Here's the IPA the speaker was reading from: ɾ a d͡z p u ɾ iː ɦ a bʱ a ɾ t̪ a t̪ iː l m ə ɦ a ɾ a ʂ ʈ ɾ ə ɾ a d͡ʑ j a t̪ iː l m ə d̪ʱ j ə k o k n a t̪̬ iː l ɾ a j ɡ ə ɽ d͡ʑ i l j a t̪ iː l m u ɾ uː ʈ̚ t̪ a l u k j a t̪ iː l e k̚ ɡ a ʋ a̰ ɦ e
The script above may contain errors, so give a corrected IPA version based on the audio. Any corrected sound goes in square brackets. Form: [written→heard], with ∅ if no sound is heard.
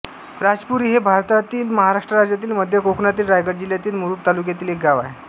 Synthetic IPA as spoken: ɾ a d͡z p u ɾ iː ɦ [a→e] bʱ a ɾ t̪ a t̪ iː l m ə ɦ a ɾ a ʂ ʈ ɾ ə ɾ a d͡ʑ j a t̪ iː l m ə d̪ʱ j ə k o k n a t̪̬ iː l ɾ a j ɡ ə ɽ d͡ʑ i l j a t̪ iː l m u ɾ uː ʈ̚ t̪ a l u k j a t̪ iː l e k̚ ɡ a ʋ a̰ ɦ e

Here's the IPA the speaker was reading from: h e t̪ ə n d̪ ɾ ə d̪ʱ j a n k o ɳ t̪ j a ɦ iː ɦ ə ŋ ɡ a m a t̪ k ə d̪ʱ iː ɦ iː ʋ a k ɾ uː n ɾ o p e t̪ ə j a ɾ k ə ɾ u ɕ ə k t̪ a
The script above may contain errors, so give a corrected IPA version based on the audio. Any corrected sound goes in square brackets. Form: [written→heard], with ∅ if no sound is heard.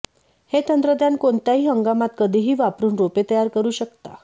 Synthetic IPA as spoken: h e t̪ ə n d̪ ɾ ə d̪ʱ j a n k o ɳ t̪ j a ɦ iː ɦ ə ŋ ɡ a m a t̪ k ə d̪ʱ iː ɦ iː ʋ a [k→p] ɾ uː n ɾ o p e t̪ ə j a ɾ k ə ɾ [u→uː] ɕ ə k t̪ a

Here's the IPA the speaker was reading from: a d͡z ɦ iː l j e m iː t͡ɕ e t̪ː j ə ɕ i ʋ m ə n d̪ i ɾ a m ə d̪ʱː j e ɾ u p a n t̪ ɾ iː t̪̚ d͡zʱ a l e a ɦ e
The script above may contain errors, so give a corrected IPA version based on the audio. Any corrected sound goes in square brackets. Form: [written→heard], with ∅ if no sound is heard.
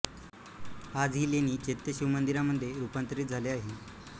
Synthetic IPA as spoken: a d͡z ɦ iː l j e [m→n] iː t͡ɕ e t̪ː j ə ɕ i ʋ m ə n d̪ i ɾ a m ə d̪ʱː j e ɾ u p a n t̪ ɾ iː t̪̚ d͡zʱ a l e a ɦ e

